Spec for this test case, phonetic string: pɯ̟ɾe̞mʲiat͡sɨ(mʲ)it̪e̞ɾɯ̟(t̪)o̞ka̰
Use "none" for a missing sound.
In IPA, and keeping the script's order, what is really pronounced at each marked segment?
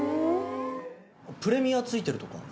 none, t̪

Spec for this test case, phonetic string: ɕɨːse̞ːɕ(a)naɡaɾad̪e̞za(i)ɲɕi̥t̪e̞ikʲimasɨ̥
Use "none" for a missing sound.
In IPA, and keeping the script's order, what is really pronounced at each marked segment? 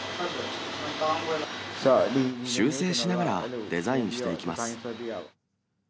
i, ĩ

